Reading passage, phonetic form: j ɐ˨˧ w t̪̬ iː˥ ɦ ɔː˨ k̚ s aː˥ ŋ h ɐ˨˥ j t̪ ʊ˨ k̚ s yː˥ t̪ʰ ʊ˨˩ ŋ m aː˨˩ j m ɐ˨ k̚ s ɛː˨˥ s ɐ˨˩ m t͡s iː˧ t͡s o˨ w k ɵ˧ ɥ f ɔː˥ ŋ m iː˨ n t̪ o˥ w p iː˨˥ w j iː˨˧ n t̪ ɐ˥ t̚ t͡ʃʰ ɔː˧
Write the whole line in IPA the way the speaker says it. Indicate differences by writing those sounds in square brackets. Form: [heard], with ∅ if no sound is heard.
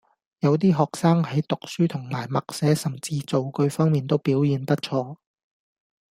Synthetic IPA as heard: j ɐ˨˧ w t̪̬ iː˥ ɦ ɔː˨ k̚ s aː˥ ŋ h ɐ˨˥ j t̪ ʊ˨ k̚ s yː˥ t̪ʰ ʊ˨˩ ŋ m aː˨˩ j m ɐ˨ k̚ s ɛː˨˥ s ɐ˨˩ m t͡s iː˧ t͡s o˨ w k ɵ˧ ɥ f ɔː˥ ŋ m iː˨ n t̪ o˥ w p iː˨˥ w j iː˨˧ n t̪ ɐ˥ t̚ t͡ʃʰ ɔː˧